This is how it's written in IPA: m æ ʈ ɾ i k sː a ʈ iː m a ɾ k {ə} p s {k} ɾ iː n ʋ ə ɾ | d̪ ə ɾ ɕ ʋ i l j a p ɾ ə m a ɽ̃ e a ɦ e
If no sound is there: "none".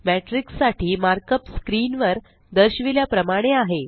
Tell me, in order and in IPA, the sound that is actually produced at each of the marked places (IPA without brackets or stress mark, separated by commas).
ə, k